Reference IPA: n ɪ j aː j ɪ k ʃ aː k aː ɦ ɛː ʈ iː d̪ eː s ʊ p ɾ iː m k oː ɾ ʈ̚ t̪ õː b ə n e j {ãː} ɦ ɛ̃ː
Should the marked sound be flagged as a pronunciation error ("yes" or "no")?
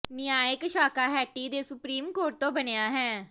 yes